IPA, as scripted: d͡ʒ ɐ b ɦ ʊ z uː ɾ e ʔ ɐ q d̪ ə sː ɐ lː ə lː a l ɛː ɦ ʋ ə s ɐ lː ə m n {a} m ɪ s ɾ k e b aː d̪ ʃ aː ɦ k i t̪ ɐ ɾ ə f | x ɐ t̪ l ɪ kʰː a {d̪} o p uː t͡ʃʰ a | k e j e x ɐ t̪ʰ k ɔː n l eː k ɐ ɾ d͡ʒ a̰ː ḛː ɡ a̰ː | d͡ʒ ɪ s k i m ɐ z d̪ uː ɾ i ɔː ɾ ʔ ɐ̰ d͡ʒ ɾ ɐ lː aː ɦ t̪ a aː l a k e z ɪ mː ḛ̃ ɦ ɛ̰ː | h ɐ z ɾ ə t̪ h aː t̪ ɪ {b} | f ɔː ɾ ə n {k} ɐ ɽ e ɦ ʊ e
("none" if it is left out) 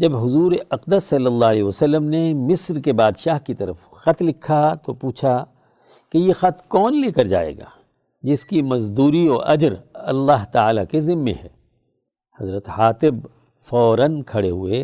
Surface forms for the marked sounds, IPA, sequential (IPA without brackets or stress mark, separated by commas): e, t̪, b, kʰ